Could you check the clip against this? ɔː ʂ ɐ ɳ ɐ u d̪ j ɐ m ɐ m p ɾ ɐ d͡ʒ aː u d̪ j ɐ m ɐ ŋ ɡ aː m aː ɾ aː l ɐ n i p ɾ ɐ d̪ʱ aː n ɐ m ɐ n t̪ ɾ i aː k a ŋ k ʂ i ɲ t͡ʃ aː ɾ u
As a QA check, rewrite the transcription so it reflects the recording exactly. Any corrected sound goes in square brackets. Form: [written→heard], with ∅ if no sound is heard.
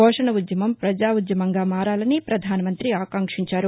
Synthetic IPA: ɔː ʂ ɐ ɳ ɐ u d̪ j ɐ m ɐ m p ɾ ɐ d͡ʒ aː u d̪ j ɐ m ɐ ŋ ɡ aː m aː ɾ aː l ɐ n i p ɾ ɐ d̪ʱ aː n ɐ m ɐ n t̪ ɾ i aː k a ŋ k ʂ i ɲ t͡ʃ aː ɾ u